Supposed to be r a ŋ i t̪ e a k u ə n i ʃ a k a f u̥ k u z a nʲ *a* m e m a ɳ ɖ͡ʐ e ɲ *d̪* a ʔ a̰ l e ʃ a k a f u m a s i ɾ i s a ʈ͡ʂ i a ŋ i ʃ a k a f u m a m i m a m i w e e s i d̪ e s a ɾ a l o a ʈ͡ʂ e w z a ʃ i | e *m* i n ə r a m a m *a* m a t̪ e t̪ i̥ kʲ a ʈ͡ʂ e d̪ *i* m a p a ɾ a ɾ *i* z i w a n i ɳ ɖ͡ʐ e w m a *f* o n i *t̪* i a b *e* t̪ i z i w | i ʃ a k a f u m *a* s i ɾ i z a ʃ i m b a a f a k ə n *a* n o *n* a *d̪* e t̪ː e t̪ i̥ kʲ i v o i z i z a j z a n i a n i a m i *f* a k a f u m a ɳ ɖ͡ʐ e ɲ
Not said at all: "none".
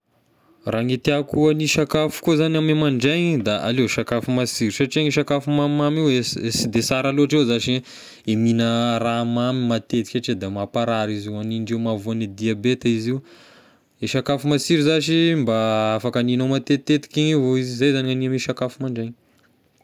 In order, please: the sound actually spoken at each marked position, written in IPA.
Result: a, d̪, m, i, a, i, v, d̪, e, a, i, m, t̪, ʃ

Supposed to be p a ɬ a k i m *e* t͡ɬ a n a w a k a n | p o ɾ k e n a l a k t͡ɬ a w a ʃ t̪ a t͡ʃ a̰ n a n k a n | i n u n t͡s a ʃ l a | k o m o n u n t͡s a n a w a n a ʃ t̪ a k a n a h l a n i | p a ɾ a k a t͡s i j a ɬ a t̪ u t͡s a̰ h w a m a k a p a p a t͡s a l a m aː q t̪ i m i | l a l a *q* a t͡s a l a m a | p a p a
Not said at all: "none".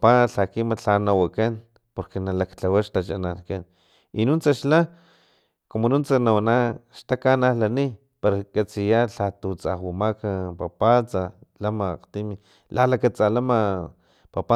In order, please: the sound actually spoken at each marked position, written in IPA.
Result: a, k

